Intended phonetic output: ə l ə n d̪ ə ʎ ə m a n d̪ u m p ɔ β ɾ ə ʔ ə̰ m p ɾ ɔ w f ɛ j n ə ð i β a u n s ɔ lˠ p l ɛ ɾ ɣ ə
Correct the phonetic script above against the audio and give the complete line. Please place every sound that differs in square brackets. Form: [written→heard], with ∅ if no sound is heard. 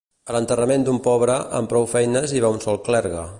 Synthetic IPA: ə l ə n [d̪→t̪] ə [ʎ→r] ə m [a→e] n d̪ u m p ɔ β ɾ ə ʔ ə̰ m p ɾ ɔ w f ɛ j n ə [ð→z] i β a u n s ɔ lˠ [p→k] l ɛ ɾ ɣ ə